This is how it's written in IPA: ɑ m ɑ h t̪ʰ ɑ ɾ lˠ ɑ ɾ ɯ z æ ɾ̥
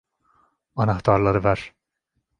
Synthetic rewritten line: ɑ n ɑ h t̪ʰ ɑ ɾ lˠ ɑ ɾ ɯ v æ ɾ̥